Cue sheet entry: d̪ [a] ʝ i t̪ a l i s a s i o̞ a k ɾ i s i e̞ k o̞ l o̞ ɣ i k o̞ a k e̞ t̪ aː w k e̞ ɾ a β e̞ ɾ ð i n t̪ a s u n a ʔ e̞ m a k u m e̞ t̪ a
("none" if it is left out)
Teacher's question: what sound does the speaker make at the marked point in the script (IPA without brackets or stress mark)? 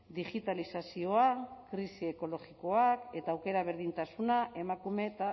i